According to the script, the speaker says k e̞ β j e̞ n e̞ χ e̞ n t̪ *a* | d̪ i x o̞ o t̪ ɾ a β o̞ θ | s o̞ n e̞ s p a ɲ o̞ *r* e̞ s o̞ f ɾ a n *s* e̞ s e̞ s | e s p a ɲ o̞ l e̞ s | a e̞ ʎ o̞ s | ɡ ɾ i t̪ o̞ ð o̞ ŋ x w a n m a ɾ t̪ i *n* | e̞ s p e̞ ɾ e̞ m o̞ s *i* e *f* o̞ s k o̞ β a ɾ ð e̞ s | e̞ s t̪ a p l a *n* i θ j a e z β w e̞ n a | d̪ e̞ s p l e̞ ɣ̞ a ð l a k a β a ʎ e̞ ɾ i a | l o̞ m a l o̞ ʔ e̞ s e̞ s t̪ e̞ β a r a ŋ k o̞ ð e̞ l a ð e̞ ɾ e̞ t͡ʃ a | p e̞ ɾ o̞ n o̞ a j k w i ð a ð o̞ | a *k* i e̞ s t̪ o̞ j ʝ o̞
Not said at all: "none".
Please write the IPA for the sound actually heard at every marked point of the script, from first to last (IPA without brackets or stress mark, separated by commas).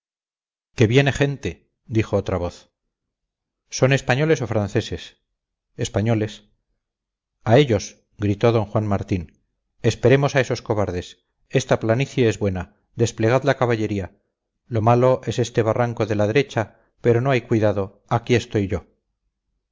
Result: e, l, θ, n, a, s, n, k